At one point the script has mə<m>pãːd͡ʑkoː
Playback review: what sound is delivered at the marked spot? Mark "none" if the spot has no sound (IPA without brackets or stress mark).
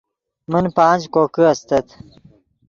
n